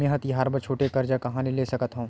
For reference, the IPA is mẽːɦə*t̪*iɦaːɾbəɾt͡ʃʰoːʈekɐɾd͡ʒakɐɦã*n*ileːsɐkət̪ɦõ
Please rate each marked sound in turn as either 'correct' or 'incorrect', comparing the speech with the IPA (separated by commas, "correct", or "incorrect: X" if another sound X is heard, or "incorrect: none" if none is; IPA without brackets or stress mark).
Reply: correct, correct